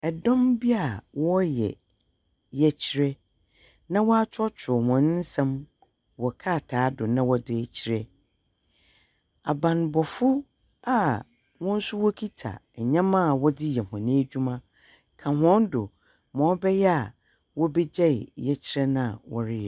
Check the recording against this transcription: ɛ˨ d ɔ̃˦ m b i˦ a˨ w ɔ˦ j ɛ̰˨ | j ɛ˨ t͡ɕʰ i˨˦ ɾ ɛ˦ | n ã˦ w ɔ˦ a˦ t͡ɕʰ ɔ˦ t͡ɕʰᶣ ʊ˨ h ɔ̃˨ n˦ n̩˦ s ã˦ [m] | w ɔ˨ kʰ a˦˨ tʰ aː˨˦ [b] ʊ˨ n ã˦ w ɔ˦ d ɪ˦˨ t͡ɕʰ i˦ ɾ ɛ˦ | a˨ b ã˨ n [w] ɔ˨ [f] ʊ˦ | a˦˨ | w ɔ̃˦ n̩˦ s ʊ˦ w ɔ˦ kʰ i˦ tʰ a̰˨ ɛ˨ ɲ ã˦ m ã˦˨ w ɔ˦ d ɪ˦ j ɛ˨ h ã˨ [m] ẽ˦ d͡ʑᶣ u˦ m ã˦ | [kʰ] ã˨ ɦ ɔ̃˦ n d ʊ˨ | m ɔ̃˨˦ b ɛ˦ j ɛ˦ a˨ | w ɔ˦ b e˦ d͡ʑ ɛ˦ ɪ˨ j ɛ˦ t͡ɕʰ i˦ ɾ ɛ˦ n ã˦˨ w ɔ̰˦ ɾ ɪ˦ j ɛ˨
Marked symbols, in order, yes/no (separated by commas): yes, no, no, yes, no, yes